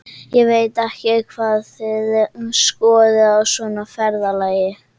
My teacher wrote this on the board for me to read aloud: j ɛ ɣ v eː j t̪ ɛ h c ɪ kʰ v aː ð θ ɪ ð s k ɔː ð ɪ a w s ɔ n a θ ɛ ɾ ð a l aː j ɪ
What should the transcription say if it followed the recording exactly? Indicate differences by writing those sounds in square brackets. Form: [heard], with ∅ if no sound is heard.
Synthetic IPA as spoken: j ɛ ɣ v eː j t̪ ɛ h c ɪ kʰ v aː ð θ ɪ ð s k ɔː ð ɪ a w s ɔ n a [f] ɛ ɾ ð a l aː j ɪ